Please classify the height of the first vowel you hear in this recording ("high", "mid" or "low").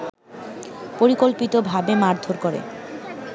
mid